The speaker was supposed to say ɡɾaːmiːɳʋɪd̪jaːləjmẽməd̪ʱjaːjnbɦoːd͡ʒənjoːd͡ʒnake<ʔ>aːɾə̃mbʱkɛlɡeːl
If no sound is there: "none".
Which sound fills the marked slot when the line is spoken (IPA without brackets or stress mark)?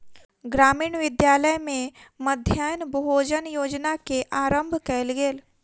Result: ʔ